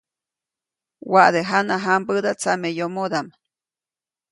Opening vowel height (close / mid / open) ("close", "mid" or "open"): open